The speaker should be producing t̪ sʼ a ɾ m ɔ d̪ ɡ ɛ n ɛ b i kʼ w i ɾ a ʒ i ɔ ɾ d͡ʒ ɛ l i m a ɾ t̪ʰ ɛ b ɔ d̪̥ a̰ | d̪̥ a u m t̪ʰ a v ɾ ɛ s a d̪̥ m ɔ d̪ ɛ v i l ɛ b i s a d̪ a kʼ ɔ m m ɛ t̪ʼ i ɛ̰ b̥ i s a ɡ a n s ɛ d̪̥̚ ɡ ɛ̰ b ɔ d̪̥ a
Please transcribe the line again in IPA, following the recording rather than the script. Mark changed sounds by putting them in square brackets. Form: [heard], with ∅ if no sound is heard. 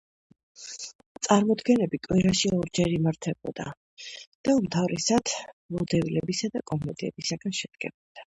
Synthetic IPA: t̪ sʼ a ɾ m ɔ d̪ ɡ ɛ n ɛ b i kʼ w i ɾ a [ʃ] i ɔ ɾ d͡ʒ ɛ [ɾ] i m a ɾ t̪ʰ ɛ b ɔ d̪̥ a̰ | d̪̥ a u m t̪ʰ a v ɾ ɛ s a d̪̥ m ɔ d̪ ɛ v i l ɛ b i s a d̪ a kʼ ɔ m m ɛ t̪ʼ i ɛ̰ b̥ i s a ɡ a n [ʃ] ɛ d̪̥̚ ɡ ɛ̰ b ɔ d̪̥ a